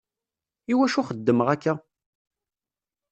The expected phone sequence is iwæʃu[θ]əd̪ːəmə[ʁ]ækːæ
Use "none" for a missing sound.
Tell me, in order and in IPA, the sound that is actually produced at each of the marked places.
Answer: χ, ʁ

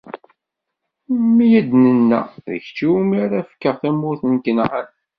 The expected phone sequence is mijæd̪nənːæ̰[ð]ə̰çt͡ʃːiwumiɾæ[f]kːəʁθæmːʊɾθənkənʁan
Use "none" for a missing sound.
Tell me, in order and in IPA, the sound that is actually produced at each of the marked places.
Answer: ð, f

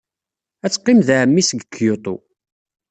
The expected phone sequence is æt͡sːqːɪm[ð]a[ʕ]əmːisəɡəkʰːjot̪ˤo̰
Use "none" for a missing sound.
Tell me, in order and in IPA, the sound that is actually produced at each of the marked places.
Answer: ð, ʕ

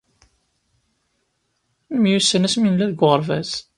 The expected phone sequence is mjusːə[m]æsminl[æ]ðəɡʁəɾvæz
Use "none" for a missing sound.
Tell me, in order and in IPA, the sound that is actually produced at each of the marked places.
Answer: n, æ

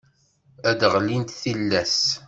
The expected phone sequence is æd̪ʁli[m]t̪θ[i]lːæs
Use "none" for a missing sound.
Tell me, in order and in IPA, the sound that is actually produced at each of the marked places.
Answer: n, i

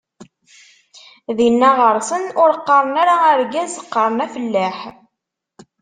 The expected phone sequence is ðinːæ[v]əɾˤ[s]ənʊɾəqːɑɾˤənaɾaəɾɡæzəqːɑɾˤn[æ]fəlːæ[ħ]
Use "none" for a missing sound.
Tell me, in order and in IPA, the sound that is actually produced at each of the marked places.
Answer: ʁ, s, æ, ħ

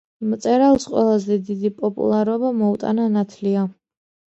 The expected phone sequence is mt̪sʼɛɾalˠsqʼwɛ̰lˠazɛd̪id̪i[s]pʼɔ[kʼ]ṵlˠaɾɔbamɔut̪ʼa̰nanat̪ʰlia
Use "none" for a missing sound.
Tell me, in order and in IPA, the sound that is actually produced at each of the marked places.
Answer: none, pʼ

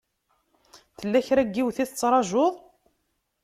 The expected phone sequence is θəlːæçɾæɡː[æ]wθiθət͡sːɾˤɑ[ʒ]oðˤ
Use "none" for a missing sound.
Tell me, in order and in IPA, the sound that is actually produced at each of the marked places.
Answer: i, ʒ

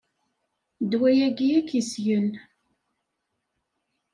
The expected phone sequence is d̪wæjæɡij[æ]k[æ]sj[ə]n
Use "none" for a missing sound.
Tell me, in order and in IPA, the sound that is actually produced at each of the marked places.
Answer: æ, i, ə

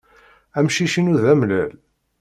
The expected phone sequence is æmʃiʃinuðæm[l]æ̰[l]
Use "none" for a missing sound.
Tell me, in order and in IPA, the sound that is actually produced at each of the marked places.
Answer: l, l

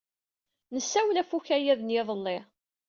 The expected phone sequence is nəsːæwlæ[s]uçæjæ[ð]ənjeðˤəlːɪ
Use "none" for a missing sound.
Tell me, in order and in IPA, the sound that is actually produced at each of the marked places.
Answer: f, ð

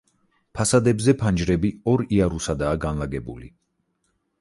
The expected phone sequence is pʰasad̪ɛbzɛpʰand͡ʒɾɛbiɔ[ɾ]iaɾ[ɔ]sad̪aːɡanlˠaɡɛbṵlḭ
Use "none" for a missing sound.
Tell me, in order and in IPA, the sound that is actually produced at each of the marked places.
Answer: ɾ, u

